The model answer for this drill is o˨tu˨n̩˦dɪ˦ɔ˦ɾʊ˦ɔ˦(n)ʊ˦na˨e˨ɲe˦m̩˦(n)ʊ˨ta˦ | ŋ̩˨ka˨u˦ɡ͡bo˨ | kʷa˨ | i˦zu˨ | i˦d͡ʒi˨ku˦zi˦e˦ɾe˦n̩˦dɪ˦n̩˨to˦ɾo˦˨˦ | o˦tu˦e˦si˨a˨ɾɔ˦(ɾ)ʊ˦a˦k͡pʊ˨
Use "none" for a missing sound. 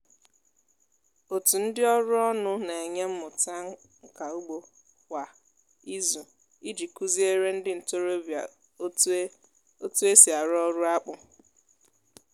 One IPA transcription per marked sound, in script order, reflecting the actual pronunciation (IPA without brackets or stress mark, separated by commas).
n, m, ɾ